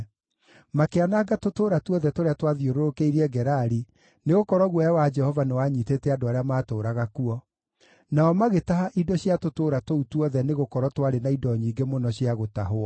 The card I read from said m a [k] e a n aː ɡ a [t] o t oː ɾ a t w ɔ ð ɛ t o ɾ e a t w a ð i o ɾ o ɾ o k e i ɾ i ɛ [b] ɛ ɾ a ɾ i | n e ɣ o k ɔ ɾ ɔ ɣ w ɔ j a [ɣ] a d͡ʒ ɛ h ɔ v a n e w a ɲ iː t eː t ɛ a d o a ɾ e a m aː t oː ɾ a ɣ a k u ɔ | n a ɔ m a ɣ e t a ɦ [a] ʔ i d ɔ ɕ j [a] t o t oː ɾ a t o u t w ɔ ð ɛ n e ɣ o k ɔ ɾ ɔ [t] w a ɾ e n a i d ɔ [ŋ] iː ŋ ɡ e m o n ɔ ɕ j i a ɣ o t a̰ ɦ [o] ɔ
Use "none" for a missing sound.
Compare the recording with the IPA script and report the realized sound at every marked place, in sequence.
k, t, ɡ, w, a, a, t, ɲ, o

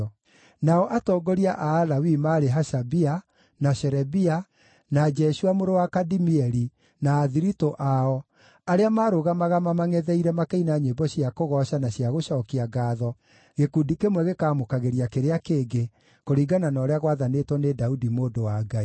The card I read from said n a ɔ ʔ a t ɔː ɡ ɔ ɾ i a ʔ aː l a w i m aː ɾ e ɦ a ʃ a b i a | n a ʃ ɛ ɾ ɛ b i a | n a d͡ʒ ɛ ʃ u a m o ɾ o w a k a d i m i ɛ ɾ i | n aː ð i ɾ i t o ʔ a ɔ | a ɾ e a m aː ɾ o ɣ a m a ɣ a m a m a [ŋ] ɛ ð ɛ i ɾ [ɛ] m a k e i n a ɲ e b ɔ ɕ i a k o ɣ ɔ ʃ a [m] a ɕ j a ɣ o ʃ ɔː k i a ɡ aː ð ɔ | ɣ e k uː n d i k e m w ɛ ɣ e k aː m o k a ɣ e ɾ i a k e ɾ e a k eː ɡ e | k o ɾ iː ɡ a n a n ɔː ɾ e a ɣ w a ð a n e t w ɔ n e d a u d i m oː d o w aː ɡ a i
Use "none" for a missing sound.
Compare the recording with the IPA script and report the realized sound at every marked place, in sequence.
ŋ, ɛ, n

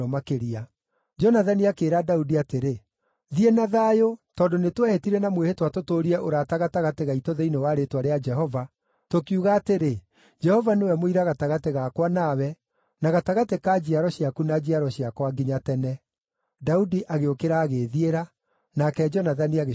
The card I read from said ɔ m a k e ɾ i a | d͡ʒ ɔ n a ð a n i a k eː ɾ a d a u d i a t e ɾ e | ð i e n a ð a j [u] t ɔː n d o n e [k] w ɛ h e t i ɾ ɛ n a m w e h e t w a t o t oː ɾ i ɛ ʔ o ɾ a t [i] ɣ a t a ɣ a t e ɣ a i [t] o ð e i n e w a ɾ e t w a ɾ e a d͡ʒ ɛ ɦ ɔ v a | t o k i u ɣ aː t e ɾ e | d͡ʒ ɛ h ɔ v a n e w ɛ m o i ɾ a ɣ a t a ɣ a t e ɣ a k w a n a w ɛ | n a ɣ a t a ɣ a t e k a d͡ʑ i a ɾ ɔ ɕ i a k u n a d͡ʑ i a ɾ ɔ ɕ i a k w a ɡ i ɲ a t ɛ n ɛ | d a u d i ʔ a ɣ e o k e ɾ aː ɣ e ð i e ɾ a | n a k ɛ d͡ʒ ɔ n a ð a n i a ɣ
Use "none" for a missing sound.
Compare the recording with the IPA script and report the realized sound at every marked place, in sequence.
o, t, a, t

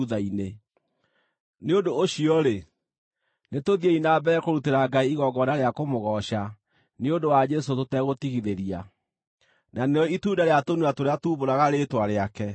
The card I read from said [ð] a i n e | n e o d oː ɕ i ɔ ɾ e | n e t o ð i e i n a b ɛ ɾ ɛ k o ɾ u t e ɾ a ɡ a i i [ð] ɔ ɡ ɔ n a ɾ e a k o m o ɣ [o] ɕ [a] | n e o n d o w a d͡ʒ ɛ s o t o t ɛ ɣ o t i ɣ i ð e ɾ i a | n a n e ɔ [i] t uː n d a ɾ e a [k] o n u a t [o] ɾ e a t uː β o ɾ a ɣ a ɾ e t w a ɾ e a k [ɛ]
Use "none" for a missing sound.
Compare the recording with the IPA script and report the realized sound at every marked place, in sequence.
ð, ɣ, ɔ, a, i, t, o, ɛ

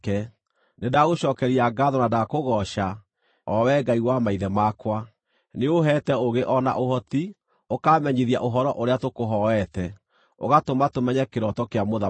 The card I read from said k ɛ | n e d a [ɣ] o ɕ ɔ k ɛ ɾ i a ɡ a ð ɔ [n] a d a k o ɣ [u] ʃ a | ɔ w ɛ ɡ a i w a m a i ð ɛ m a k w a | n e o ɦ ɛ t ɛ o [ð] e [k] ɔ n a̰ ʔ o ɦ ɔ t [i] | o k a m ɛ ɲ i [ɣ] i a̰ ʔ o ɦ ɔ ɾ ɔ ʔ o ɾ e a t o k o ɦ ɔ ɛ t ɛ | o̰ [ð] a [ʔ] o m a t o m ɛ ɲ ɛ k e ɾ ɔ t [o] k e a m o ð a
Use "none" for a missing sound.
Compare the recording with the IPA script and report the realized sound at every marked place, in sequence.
ɣ, n, ɔ, ɣ, ʔ, i, ð, ɣ, t, ɔ

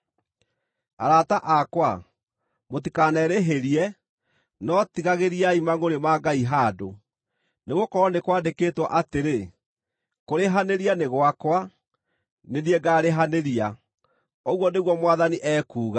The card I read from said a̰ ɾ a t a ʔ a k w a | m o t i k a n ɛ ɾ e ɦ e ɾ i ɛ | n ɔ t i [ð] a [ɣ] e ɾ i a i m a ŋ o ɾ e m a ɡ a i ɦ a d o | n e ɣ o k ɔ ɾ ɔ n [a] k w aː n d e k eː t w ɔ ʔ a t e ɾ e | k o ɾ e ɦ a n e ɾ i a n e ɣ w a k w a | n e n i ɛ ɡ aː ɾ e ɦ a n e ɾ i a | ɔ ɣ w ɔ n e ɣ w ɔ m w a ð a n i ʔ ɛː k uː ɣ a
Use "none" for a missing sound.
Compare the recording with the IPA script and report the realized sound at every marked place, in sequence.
ɣ, ɣ, e

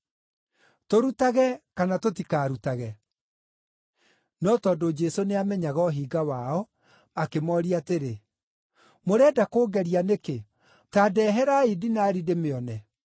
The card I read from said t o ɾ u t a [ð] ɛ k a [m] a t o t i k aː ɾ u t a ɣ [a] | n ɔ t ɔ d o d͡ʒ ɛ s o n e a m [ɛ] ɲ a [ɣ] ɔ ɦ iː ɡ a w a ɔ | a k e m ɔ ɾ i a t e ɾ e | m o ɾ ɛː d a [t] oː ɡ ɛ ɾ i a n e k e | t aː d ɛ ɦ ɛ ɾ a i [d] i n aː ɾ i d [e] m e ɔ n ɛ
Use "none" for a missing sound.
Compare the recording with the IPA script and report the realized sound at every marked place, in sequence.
ɣ, n, ɛ, ɛ, ɣ, k, d, e

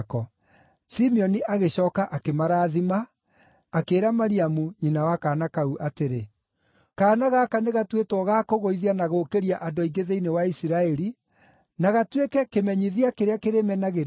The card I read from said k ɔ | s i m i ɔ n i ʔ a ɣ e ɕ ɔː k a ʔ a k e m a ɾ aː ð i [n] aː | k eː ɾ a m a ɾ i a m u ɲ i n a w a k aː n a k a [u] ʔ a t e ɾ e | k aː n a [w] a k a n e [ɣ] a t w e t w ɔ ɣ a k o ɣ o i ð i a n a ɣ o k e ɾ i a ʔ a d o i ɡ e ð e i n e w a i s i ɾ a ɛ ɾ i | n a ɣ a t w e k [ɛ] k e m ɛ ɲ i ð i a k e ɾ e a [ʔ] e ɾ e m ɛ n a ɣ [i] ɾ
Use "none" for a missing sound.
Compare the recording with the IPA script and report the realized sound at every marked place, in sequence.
m, u, ɣ, ɣ, ɛ, k, e

